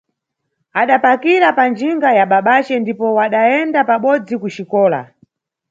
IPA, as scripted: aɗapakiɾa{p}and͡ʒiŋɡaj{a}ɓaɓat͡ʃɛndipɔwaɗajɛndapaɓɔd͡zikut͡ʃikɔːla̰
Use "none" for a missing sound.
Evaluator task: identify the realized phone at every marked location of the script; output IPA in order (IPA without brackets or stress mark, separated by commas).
p, a